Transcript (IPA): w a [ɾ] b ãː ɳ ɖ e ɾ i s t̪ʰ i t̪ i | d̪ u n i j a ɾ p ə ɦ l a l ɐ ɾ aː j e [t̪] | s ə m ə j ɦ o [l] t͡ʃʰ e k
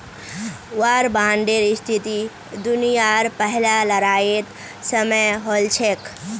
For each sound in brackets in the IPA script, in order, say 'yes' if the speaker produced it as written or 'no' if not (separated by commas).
yes, yes, yes